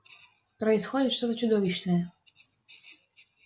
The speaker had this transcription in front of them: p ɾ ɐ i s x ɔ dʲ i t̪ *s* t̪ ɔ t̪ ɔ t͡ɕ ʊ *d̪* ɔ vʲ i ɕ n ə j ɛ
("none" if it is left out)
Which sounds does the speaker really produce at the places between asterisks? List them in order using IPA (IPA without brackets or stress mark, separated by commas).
ʂ, d̪